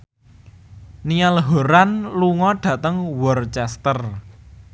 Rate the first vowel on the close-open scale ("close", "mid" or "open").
close